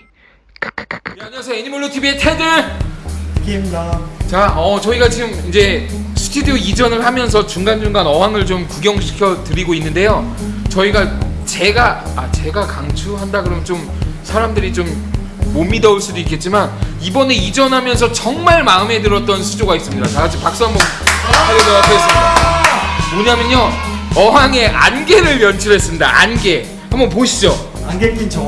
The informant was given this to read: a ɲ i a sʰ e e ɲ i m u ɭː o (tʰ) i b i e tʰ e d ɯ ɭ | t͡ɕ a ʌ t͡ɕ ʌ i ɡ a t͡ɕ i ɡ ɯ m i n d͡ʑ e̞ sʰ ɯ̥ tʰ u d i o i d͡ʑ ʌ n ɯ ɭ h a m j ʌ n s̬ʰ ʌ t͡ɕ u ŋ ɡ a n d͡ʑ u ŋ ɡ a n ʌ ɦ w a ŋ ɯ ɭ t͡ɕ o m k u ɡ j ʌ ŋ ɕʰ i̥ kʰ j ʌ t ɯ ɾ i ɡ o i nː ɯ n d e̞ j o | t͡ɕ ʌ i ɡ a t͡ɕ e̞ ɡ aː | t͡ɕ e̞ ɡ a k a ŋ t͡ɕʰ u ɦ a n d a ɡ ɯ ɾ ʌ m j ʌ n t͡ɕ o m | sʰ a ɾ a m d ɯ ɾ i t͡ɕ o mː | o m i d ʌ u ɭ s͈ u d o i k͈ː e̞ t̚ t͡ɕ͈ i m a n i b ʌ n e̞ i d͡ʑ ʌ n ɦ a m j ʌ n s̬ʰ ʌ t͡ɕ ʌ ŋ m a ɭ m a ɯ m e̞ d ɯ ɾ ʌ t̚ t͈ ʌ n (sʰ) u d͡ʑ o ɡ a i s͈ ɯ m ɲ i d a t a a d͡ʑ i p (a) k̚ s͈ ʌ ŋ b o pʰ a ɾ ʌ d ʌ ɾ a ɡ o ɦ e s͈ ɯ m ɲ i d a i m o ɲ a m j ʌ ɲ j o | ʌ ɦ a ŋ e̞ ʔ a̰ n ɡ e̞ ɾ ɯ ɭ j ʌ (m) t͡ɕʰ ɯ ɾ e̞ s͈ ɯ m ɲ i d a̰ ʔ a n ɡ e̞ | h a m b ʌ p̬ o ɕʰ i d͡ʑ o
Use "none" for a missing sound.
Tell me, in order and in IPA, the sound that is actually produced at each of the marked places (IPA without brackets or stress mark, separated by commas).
tʰ, sʰ, a, n